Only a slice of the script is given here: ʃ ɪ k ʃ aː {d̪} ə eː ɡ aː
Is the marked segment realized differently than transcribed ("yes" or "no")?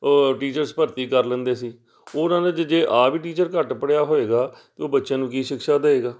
no